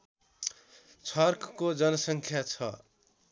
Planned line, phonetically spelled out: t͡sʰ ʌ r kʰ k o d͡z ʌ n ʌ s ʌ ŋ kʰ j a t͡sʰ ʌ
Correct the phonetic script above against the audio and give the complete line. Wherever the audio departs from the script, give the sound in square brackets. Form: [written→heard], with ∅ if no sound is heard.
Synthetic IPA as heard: t͡sʰ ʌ r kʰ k o d͡z ʌ n ʌ s ʌ ŋ kʰ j a t͡sʰ ʌ